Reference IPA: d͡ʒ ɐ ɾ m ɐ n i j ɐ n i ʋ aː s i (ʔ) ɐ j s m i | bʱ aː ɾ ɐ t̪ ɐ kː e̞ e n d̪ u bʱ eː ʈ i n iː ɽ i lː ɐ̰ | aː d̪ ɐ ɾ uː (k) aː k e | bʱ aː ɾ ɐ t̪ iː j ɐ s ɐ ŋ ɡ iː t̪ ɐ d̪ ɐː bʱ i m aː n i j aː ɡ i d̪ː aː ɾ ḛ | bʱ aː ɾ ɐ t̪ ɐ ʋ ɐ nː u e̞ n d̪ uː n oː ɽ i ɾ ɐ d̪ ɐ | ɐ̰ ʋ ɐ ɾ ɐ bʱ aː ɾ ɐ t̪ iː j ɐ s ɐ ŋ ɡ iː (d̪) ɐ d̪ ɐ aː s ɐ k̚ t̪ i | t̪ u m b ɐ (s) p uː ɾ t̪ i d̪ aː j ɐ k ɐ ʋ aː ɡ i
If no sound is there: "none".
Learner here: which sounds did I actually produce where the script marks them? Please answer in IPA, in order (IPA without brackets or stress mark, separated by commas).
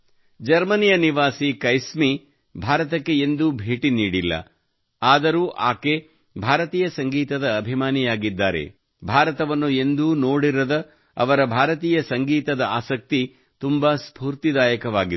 k, ʔ, t̪, s